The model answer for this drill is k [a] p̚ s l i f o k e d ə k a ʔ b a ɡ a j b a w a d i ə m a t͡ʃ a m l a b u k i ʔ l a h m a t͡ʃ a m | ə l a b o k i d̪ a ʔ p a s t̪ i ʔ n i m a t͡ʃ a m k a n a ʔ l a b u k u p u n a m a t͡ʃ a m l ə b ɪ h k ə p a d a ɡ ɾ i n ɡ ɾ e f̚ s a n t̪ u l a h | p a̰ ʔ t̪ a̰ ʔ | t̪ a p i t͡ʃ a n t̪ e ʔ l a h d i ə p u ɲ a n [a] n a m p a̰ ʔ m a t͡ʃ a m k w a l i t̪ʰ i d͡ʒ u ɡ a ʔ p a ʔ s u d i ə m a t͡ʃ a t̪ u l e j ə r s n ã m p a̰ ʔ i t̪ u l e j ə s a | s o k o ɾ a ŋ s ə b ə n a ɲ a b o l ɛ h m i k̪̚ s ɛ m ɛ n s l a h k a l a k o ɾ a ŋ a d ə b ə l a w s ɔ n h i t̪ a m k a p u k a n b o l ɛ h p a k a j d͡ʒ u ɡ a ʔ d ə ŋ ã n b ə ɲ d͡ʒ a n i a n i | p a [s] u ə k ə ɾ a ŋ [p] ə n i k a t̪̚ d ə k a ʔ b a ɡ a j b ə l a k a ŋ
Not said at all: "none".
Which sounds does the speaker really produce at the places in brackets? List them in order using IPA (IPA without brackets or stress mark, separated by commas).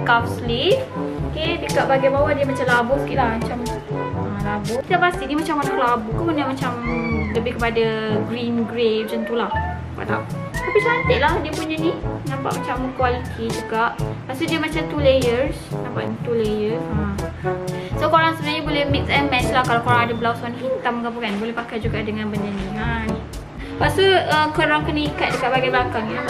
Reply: a, i, s, k